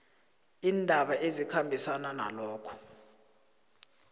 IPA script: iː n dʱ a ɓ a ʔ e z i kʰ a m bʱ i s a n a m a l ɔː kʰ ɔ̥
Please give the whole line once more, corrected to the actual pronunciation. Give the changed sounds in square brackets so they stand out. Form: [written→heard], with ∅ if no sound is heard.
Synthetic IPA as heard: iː n dʱ a ɓ a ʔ e z i kʰ a m bʱ i s a n a [m→n] a l ɔː kʰ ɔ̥